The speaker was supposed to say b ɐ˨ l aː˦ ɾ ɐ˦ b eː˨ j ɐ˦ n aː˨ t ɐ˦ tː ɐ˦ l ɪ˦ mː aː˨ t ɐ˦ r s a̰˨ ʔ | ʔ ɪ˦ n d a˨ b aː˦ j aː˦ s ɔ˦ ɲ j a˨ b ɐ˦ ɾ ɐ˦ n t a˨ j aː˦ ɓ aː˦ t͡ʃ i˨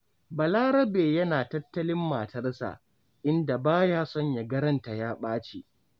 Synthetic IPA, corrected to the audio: b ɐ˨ l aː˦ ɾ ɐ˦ b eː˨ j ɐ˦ n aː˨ t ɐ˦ tː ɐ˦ l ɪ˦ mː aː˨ t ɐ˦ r s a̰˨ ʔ | ʔ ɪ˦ n d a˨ b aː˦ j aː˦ s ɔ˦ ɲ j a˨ ɡ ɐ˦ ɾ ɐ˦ n t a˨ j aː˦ ɓ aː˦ t͡ʃ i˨